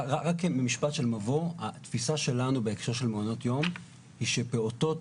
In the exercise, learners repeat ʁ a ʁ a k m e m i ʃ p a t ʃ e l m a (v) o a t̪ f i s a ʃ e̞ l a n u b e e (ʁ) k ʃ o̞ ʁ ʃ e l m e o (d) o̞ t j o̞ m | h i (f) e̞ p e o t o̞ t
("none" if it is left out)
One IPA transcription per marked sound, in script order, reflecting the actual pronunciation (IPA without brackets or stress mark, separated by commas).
v, none, n, ʃ